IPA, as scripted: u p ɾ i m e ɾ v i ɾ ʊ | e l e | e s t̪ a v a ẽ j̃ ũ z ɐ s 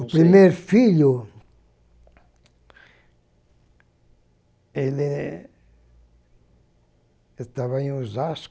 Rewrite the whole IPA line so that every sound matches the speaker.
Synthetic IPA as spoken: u p ɾ i m e ɾ f i ʎ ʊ | e l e | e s t̪ a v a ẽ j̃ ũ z a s